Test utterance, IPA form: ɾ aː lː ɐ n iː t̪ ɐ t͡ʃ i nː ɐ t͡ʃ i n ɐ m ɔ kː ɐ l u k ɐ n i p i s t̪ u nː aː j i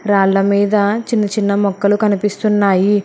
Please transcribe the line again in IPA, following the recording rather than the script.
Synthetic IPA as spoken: ɾ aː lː ɐ m iː d̪ ɐ t͡ʃ i nː ɐ t͡ʃ i nː ɐ m ɔ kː ɐ l u k ɐ n i p i s t̪ u nː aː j i